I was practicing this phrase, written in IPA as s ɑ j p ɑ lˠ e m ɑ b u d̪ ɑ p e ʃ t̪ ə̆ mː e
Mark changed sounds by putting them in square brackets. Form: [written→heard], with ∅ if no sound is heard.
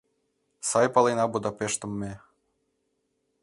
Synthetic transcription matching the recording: s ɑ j p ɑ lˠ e [m→n] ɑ b u d̪ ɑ p e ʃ t̪ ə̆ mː e